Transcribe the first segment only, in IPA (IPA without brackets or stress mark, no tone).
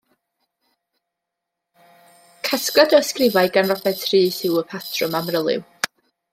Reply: kʰ